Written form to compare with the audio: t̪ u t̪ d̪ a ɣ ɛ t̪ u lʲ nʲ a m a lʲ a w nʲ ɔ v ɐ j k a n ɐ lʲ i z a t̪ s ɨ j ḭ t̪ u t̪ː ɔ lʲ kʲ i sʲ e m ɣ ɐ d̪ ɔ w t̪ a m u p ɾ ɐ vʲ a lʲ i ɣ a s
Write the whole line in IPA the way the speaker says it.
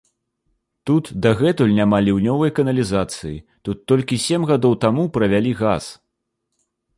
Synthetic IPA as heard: t̪ u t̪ d̪ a ɣ ɛ t̪ u lʲ nʲ a m a lʲ i w nʲ ɔ v ɐ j k ɐ n ɐ lʲ i z a t̪ s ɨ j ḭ t̪ u t̪ː ɔ lʲ kʲ i sʲ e m ɣ a d̪ ɔ w t̪ a m u p ɾ ɐ vʲ a lʲ i ɣ a s